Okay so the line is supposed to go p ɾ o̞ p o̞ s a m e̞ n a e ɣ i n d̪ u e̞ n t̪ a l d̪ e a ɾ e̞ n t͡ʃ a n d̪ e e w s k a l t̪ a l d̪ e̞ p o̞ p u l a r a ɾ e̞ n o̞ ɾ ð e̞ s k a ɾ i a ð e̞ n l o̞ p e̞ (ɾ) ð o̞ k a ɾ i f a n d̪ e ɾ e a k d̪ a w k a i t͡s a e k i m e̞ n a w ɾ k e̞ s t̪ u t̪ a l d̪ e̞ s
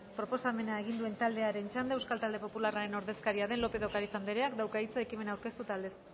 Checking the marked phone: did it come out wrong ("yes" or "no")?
yes